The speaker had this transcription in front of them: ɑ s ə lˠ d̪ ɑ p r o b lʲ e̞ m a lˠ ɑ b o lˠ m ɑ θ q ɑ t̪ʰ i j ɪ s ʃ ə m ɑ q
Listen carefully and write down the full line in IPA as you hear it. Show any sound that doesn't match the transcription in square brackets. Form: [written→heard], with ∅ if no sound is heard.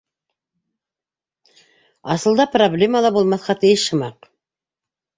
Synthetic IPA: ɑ s ə lˠ d̪ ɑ p r o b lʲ e̞ m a lˠ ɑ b o lˠ m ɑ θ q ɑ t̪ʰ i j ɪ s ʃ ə m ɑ q